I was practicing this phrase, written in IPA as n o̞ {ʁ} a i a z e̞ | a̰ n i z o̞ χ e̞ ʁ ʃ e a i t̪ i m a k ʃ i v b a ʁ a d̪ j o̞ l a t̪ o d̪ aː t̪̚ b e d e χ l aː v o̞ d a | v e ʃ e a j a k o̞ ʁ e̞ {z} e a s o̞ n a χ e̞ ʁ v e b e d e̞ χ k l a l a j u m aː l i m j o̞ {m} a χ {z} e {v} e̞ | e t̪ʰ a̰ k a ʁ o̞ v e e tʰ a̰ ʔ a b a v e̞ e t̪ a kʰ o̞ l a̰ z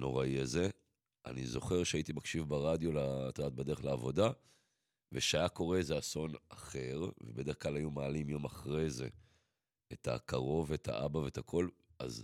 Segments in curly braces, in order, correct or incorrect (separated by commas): correct, correct, correct, incorrect, incorrect